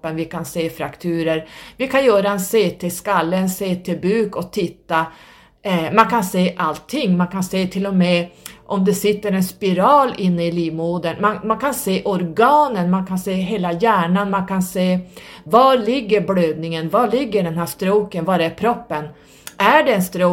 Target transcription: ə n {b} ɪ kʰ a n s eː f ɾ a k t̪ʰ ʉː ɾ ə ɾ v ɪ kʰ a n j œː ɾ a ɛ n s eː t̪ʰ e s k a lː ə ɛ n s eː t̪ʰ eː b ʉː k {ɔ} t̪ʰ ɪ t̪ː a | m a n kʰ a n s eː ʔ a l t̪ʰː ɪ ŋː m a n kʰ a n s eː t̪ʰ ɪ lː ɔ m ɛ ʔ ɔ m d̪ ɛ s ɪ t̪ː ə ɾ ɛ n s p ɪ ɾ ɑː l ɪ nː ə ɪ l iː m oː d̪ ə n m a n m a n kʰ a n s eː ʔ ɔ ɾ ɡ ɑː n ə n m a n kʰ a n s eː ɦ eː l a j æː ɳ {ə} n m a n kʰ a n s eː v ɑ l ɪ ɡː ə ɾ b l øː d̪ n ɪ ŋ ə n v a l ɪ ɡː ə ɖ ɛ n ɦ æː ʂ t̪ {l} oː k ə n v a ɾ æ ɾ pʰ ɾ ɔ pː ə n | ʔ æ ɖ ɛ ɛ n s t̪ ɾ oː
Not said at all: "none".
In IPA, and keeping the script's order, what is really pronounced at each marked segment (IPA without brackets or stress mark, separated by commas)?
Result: v, ɔ, a, ɾ